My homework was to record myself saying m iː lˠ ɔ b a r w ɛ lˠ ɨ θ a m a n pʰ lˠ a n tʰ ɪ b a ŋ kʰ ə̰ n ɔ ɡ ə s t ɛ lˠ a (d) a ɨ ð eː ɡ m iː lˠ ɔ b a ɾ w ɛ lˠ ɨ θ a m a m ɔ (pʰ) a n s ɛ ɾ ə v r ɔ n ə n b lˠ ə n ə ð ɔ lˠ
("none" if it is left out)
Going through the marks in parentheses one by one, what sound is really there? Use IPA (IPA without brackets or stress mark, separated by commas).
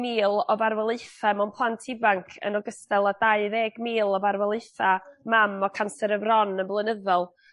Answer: d, kʰ